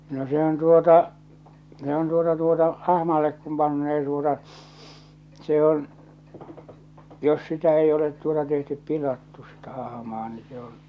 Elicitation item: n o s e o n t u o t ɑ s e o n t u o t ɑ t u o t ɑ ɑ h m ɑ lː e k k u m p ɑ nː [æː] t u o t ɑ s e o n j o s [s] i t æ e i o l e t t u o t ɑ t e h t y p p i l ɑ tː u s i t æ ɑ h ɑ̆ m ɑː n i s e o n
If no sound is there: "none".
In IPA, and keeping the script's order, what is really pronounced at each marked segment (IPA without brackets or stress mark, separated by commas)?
eː, s